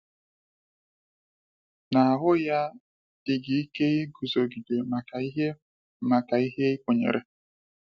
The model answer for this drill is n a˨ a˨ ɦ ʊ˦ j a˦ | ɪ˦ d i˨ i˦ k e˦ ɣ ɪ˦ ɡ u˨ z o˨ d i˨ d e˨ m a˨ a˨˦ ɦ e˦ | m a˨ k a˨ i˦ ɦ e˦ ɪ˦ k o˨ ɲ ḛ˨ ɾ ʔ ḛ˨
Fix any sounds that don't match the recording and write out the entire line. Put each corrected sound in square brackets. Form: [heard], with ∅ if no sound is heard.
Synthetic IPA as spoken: n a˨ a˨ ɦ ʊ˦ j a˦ | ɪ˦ [ɡ] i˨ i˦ k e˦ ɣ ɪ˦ ɡ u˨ z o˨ [ɡ] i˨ d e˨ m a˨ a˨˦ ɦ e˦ | m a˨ k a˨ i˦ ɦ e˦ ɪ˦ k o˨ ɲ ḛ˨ ɾ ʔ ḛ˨